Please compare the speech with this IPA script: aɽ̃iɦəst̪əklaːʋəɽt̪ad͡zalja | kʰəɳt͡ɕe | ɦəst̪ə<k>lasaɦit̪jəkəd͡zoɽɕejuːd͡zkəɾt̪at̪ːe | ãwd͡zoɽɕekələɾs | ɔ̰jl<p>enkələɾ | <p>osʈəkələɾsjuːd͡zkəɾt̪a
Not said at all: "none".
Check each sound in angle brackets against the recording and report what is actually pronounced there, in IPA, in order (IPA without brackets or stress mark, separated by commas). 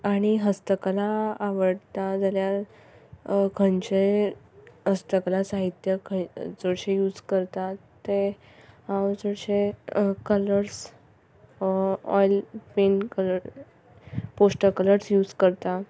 k, p, p